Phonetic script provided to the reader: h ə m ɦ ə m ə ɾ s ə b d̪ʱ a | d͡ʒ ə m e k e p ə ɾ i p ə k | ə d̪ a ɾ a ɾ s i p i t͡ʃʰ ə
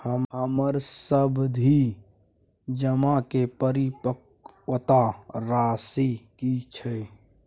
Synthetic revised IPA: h ə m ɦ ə m ə ɾ s ə b d̪ʱ i | d͡ʒ ə m a k e p ə ɾ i p ə k | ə t̪ a ɾ a s i k i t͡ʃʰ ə